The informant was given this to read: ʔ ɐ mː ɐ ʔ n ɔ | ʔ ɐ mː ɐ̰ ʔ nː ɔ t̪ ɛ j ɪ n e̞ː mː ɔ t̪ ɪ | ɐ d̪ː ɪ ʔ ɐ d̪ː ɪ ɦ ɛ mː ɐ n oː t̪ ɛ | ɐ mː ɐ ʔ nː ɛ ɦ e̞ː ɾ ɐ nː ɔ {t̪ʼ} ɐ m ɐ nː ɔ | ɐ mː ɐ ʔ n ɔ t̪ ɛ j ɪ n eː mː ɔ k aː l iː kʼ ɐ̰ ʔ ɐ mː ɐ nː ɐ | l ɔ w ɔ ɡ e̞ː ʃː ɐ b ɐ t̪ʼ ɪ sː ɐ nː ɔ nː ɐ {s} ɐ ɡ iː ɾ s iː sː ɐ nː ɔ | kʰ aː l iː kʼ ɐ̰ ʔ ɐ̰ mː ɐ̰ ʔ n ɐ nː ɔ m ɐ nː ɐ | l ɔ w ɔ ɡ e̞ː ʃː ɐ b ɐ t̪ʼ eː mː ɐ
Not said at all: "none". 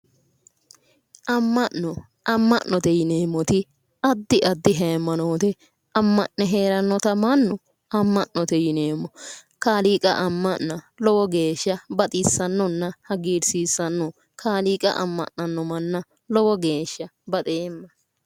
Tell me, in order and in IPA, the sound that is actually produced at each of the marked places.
t̪, h

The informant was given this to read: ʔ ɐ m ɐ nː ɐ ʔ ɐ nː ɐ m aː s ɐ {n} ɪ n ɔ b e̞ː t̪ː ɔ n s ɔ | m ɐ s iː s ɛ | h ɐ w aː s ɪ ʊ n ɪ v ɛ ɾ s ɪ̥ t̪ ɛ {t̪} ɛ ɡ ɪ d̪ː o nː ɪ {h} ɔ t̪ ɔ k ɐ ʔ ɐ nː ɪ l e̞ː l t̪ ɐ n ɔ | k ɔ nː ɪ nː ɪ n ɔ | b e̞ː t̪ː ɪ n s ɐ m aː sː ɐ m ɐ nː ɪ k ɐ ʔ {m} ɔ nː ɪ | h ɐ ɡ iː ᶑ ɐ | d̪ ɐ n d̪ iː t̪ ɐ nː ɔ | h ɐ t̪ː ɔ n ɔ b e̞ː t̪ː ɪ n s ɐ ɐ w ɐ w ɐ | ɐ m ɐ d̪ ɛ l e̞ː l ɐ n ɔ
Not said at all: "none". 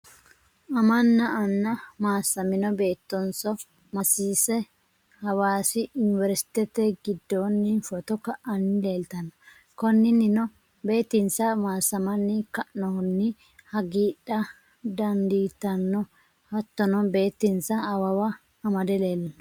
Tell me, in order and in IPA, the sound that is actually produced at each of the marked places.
m, t̪, f, n

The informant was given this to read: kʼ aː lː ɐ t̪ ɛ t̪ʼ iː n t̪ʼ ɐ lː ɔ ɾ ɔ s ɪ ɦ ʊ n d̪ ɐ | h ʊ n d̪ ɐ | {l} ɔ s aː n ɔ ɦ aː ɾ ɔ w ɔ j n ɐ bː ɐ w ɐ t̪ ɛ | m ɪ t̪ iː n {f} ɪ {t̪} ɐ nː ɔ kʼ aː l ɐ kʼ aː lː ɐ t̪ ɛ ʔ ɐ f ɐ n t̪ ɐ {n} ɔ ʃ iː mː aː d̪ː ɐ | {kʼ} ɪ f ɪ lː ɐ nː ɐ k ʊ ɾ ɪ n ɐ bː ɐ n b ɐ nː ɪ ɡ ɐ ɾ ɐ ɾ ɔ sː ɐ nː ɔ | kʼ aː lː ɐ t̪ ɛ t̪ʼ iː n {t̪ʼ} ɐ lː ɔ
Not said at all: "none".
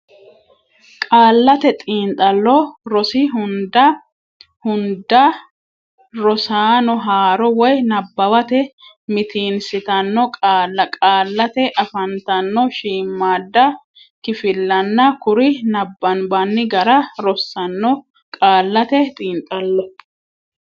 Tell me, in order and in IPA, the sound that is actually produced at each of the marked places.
ɾ, s, t̪, nː, k, t̪ʼ

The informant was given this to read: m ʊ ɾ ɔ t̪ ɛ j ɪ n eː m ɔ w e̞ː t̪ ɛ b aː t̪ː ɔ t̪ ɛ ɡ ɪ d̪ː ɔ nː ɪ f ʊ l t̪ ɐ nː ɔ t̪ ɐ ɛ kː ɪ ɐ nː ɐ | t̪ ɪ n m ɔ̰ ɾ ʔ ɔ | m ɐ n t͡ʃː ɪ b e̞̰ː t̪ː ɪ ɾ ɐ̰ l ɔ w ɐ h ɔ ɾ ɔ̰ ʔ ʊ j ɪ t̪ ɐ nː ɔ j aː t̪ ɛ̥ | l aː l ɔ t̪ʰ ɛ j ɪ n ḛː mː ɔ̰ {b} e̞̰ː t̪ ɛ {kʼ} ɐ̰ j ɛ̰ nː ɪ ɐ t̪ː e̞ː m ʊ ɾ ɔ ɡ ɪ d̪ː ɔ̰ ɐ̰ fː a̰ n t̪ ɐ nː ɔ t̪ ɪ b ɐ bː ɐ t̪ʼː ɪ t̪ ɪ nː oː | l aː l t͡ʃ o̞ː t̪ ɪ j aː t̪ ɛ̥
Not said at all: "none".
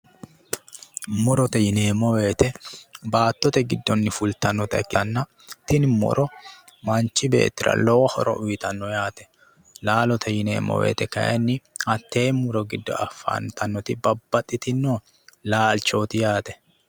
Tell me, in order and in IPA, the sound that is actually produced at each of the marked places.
w, k

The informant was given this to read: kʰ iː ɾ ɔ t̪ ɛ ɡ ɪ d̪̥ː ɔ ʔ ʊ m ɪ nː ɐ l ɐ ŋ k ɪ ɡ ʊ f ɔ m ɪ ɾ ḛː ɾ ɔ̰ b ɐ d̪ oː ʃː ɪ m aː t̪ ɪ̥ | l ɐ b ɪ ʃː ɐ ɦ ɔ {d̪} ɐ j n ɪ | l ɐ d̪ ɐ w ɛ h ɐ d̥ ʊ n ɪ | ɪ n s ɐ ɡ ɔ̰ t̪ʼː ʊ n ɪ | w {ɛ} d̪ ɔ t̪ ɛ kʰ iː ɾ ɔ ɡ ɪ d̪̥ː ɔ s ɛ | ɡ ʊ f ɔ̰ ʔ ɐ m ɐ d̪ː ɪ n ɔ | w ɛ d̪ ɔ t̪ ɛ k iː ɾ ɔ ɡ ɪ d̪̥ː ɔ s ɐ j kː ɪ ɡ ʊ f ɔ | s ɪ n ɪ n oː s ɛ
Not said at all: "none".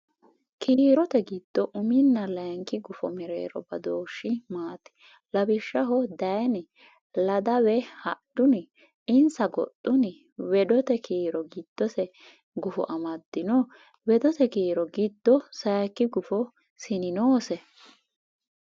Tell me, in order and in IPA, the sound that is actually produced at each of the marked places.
d̪, ɛ

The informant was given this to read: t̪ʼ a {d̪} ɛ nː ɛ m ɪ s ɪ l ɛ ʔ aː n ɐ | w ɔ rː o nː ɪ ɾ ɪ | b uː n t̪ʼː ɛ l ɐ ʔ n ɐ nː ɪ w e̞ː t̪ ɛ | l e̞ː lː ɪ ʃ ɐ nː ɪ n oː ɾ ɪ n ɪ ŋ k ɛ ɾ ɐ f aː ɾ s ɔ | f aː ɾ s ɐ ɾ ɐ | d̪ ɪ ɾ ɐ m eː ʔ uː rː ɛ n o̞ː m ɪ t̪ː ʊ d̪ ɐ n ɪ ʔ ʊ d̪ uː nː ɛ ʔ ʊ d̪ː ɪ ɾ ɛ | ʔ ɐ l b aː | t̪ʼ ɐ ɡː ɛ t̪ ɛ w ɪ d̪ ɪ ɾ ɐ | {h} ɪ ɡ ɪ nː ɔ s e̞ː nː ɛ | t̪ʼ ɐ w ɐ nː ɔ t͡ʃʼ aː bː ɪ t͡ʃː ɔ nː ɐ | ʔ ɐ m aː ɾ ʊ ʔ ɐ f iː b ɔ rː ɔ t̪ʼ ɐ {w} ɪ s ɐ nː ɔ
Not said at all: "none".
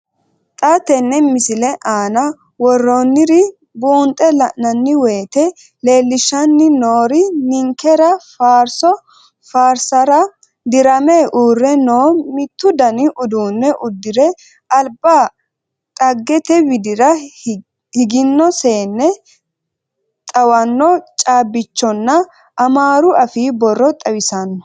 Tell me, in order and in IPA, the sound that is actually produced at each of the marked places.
t̪, h, w

